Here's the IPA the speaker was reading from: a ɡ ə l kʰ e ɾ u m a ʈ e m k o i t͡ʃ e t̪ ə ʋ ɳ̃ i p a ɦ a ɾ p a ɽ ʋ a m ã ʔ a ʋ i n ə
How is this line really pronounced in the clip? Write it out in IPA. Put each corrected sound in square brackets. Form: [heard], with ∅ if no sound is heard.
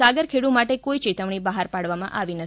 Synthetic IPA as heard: a ɡ ə [ɾ] kʰ e [ɽ] u m a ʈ e [∅] k o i t͡ʃ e t̪ ə ʋ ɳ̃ i [b] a ɦ a ɾ p a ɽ ʋ a m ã ʔ a ʋ i n ə